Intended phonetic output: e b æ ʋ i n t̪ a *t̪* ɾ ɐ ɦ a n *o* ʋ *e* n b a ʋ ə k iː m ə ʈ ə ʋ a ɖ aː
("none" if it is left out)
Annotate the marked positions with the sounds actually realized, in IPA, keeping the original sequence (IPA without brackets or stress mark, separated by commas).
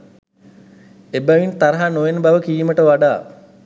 none, o, e